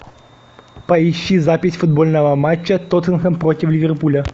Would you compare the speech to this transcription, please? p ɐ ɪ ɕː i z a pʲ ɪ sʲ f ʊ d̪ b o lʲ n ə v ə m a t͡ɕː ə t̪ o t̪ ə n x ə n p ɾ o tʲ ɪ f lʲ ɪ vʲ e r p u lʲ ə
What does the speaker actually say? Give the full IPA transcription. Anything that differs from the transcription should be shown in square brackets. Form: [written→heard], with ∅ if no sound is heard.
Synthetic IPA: p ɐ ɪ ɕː i z a pʲ ɪ sʲ f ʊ d̪ b o lʲ n ə v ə m a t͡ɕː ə t̪ o t̪ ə n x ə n p ɾ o tʲ ɪ f lʲ ɪ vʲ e r p u lʲ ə